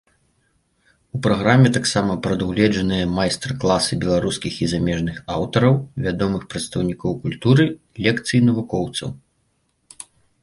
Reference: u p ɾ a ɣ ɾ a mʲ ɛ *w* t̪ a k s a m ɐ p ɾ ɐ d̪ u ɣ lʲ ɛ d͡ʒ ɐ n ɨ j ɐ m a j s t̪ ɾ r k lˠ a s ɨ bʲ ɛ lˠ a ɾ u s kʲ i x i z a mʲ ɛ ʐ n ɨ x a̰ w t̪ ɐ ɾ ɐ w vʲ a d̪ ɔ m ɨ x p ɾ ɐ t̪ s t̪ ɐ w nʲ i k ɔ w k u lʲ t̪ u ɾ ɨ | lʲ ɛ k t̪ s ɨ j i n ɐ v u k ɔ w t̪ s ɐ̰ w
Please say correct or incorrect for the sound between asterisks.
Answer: incorrect